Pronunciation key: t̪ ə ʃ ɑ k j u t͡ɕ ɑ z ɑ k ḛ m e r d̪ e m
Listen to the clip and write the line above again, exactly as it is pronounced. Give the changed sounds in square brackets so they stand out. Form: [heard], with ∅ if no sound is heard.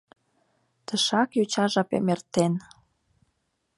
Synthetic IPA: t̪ ə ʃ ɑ k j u t͡ɕ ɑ [ʒ] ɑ [p] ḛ m e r [t̪] e [n]

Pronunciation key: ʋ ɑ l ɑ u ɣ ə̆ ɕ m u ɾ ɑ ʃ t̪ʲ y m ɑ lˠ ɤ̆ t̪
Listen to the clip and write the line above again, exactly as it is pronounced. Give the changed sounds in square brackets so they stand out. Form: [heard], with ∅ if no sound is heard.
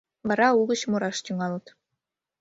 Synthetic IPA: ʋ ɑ [ɾ] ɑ u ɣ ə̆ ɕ m u ɾ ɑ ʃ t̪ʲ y [ŋ] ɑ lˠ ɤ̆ t̪

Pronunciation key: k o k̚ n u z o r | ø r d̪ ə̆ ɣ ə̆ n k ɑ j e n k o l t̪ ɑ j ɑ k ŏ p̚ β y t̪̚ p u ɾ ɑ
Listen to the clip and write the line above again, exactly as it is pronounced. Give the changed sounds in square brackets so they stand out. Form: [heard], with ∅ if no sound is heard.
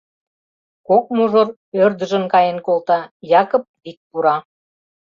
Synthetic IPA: k o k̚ [m] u [ʒ] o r | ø r d̪ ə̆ [ʒ] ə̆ n k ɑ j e n k o l t̪ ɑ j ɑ k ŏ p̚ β [i] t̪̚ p u ɾ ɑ

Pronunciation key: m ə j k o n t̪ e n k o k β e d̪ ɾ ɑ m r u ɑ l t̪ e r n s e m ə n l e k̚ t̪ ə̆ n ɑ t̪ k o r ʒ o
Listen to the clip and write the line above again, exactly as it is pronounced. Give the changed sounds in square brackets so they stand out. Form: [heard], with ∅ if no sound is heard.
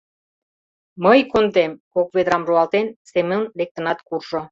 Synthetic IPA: m ə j k o n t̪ e [m] k o k β e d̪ ɾ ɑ m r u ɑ l t̪ e [∅] n s e m ə n l e k̚ t̪ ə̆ n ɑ t̪ k [u] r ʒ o

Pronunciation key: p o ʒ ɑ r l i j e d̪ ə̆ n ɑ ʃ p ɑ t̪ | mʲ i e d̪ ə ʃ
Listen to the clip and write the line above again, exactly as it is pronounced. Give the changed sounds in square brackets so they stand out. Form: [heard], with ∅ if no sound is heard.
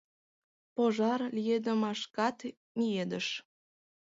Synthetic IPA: p o ʒ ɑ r l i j e d̪ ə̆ [m] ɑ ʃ [k] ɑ t̪ | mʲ i e d̪ ə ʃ

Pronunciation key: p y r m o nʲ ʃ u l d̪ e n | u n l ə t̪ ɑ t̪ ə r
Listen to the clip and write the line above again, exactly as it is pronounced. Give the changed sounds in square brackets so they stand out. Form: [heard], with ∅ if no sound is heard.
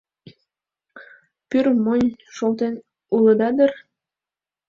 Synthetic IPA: p y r m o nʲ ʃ [o] l [t̪] e n | u [∅] l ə [d̪] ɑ [d̪] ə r

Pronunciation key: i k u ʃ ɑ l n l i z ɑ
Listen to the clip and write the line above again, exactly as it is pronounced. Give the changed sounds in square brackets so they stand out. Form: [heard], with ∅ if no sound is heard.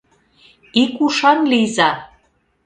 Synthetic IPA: i k u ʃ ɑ [∅] n l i z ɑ

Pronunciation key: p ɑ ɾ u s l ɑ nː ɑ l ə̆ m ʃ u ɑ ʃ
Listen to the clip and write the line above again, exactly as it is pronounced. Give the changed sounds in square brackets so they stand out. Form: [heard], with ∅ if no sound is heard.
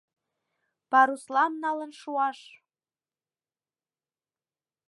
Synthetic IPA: p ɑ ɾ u s l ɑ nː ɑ l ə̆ [n] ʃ u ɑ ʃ

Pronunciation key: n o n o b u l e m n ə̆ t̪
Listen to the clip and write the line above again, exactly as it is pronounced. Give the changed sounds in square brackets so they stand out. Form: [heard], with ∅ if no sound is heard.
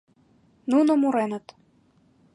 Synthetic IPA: n [u] n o [m] u [ɾ] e [∅] n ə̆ t̪

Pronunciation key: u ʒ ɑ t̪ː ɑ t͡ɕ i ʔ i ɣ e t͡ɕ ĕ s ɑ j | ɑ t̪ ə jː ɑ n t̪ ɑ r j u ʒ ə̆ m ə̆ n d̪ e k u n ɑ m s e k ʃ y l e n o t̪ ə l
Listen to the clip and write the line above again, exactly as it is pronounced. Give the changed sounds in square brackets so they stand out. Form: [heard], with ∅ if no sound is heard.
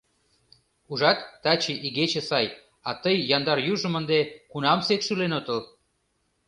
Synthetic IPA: u ʒ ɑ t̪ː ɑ t͡ɕ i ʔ i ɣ e t͡ɕ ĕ s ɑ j | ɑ t̪ ə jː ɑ n [d̪] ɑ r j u ʒ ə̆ m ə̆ n d̪ e k u n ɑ m s e k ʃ y l e n o t̪ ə l

